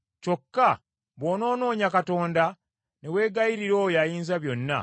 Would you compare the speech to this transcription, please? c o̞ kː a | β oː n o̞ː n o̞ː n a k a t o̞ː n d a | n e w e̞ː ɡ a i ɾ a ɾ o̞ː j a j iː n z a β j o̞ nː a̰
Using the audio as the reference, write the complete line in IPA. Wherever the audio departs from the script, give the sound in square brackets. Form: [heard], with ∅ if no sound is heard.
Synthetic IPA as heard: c o̞ kː a | β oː n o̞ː n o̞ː [ɲ] a k a t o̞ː n d a | n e w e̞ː ɡ a i ɾ [i] ɾ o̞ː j a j iː n z a β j o̞ nː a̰